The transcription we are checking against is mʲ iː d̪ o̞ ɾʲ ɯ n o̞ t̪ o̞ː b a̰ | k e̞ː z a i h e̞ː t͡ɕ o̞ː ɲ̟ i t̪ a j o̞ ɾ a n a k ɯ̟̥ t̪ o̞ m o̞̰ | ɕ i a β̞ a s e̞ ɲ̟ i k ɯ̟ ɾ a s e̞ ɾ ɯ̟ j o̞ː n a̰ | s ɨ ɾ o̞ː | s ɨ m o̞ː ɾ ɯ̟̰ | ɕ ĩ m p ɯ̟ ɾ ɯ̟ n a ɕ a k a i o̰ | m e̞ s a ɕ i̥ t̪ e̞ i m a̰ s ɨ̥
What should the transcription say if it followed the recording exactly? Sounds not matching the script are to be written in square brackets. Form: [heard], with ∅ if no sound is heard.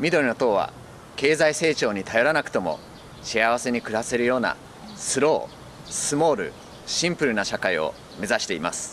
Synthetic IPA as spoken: mʲ [i] d̪ o̞ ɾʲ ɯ n o̞ t̪ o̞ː [β] a̰ | k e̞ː z a i [s] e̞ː t͡ɕ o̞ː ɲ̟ i t̪ a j o̞ ɾ a n a k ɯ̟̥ t̪ o̞ m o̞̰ | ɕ i a β̞ a s e̞ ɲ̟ i k ɯ̟ ɾ a s e̞ ɾ ɯ̟ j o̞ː n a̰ | s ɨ ɾ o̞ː | s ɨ m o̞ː ɾ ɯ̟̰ | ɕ ĩ m p ɯ̟ ɾ ɯ̟ n a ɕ a k a i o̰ | m e̞ [z] a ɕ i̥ t̪ e̞ i m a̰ s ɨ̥